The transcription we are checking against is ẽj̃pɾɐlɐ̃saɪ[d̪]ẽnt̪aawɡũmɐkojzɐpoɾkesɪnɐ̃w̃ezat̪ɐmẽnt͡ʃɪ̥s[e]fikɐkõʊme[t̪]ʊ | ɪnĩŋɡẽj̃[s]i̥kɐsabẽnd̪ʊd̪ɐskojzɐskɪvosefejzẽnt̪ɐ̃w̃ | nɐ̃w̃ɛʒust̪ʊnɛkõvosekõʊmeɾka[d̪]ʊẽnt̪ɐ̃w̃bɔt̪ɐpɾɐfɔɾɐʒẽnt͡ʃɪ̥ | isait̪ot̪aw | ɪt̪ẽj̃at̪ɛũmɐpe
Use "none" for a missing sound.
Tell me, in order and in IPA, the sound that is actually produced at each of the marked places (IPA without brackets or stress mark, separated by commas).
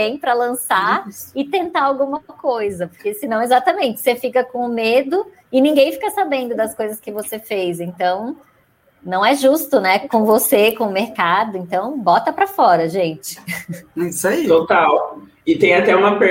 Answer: t̪, e, d̪, f, d̪